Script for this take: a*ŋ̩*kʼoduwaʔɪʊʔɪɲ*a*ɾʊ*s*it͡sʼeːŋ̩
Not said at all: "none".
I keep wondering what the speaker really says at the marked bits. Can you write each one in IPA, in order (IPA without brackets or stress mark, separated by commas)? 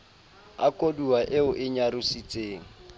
none, a, s